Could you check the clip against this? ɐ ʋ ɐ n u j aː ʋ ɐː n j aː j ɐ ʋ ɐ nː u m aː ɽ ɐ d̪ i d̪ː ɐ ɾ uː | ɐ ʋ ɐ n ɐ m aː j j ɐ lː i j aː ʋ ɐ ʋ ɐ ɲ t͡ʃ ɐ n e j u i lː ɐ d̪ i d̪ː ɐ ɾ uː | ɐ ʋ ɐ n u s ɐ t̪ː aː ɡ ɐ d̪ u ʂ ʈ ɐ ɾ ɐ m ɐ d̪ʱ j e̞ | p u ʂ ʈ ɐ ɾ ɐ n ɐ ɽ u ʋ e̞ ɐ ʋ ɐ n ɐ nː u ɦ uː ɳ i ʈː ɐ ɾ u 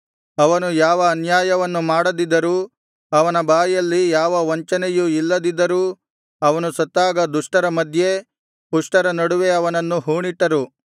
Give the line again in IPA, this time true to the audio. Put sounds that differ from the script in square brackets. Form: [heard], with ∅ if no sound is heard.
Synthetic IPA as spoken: ɐ ʋ ɐ n u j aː ʋ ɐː n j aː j ɐ ʋ ɐ nː u m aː ɽ ɐ d̪ i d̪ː ɐ ɾ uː | ɐ ʋ ɐ n ɐ [b] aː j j ɐ lː i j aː ʋ ɐ ʋ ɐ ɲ t͡ʃ ɐ n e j u i lː ɐ d̪ i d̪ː ɐ ɾ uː | ɐ ʋ ɐ n u s ɐ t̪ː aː ɡ ɐ d̪ u ʂ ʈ ɐ ɾ ɐ m ɐ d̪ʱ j e̞ | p u ʂ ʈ ɐ ɾ ɐ n ɐ ɽ u ʋ e̞ ɐ ʋ ɐ n ɐ nː u ɦ uː ɳ i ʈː ɐ ɾ u